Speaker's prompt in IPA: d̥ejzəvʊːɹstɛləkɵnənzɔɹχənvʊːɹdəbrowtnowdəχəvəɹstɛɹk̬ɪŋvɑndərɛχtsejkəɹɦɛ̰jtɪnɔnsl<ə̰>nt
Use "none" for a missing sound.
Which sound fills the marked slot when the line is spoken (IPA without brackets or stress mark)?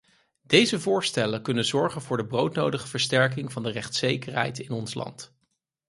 ɑ̰